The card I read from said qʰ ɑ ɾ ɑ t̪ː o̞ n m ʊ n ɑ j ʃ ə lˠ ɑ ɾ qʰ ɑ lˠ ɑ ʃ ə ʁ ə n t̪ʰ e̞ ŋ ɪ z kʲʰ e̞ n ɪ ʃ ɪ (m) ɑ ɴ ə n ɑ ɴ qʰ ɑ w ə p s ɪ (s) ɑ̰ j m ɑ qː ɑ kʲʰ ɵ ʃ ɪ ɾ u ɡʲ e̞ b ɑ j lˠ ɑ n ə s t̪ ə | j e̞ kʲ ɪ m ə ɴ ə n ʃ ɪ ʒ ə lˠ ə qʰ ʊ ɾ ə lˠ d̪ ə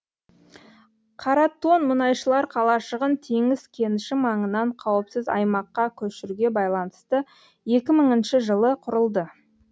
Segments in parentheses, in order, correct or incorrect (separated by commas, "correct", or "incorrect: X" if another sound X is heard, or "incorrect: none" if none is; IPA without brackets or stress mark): correct, incorrect: z